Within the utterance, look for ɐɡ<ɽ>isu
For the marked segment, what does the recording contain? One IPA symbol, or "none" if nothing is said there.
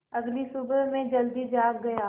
l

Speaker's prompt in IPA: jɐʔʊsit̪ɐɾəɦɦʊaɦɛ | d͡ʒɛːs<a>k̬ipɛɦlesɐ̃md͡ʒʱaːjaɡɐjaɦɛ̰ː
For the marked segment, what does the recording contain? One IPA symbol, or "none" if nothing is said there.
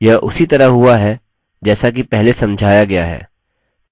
a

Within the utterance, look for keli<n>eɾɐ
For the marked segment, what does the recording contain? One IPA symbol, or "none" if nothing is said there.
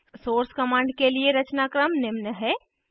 none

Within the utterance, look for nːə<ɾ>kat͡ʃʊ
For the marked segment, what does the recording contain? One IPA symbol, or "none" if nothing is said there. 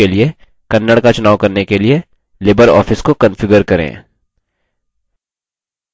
ɽ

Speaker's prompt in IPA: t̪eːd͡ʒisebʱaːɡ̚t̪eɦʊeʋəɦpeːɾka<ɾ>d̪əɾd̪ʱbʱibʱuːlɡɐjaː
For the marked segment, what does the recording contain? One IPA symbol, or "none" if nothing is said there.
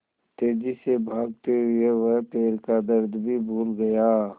none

